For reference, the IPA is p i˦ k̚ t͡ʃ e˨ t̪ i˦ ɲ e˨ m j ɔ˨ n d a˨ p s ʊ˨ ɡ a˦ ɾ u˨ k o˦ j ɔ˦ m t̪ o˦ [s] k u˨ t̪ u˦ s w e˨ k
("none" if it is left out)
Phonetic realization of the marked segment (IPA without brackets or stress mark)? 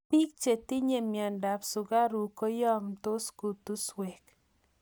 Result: s